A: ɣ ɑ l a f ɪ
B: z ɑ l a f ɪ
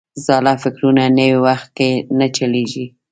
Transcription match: B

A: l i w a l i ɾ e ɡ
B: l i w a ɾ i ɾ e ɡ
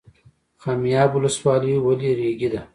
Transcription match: A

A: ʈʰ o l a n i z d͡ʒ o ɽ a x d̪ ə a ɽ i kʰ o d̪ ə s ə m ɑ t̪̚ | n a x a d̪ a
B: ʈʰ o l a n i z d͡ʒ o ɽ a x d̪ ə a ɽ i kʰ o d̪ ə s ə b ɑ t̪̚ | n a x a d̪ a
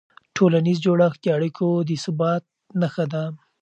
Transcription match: B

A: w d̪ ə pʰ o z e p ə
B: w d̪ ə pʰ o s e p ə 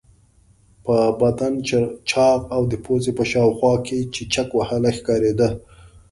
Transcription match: A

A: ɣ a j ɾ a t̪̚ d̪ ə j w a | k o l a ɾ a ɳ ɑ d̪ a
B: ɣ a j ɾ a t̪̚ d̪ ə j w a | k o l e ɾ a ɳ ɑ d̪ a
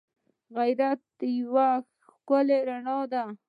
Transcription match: B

